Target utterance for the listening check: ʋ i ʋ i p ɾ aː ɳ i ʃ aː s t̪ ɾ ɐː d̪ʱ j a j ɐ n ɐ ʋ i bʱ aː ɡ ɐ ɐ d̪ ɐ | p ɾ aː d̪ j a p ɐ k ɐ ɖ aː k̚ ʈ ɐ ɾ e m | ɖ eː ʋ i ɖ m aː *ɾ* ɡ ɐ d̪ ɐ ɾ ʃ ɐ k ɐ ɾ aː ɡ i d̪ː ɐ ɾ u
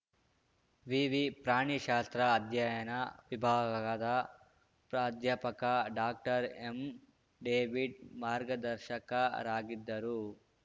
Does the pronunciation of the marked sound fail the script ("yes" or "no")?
no